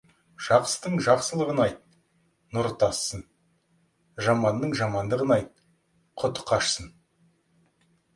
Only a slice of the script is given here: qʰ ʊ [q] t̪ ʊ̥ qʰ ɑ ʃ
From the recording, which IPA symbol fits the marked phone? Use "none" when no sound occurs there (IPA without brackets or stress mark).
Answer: none